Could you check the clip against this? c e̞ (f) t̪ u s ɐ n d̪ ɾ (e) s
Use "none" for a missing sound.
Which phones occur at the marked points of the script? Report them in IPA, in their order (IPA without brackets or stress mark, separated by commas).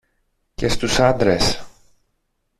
s, e